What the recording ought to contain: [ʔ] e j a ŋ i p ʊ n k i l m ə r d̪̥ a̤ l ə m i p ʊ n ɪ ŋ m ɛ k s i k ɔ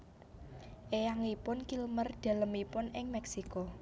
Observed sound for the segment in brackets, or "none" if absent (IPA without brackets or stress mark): ʔ